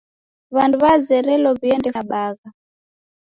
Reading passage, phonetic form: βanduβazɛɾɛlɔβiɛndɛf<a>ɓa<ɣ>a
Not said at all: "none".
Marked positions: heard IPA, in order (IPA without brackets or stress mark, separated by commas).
a, ɣ